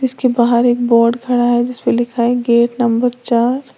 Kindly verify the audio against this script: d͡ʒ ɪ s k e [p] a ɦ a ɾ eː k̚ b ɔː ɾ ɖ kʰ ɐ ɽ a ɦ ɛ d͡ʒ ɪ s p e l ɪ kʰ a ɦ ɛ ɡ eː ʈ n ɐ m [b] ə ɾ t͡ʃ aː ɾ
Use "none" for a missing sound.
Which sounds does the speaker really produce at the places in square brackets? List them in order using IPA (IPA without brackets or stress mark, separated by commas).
b, b